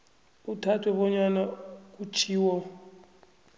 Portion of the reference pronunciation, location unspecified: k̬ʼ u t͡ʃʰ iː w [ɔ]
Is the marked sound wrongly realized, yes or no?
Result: no